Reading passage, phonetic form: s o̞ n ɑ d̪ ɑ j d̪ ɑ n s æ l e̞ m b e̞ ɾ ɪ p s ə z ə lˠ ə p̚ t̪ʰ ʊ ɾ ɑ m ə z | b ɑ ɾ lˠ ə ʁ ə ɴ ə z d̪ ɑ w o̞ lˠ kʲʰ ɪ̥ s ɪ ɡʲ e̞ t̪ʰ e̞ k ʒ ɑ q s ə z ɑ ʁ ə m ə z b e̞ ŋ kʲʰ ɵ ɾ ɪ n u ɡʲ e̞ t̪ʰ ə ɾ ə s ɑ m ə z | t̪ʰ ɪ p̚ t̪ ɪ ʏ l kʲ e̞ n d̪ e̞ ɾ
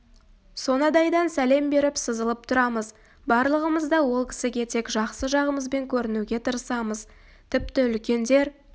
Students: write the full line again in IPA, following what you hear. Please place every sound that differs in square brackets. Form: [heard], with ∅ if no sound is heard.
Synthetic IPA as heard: s o̞ n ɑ d̪ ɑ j d̪ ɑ n s æ l e̞ m b e̞ ɾ ɪ p s ə z ə lˠ ə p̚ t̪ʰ ʊ ɾ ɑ m ə z | b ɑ ɾ lˠ ə ʁ ə [m] ə z d̪ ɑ w o̞ lˠ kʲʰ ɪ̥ s ɪ ɡʲ e̞ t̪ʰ e̞ k ʒ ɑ q s ə [ʒ] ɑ ʁ ə m ə z b e̞ ŋ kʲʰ ɵ ɾ ɪ n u ɡʲ e̞ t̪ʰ ə ɾ ə s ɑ m ə z | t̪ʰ ɪ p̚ t̪ ɪ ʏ l kʲ e̞ n d̪ e̞ ɾ